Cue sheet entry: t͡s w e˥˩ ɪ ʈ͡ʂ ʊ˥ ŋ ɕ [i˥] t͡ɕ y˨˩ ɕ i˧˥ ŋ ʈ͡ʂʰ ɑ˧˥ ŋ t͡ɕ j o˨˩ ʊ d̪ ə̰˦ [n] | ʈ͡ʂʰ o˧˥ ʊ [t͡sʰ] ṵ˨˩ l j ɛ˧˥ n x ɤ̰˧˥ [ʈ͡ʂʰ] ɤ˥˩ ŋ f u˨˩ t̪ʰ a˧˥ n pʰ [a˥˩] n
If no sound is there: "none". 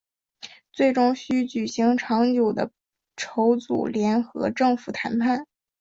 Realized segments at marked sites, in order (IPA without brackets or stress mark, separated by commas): y˥, none, t͡s, ʈ͡ʂ, a˥˩